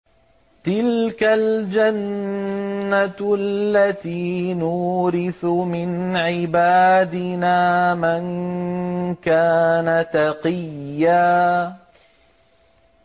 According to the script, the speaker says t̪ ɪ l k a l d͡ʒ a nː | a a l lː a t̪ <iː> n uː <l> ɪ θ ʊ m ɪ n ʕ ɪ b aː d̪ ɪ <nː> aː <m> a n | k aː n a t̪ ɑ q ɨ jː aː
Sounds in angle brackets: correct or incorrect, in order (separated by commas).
correct, incorrect, incorrect, correct